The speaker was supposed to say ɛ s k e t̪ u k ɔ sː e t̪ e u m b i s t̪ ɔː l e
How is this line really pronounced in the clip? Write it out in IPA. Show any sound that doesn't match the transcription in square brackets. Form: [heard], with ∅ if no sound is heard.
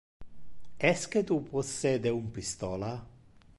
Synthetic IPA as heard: ɛ s k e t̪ u [p] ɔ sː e [d̪] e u m [p] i s t̪ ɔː l [a]